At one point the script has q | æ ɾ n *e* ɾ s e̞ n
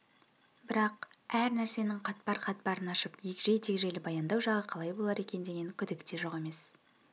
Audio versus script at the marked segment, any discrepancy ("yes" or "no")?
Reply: yes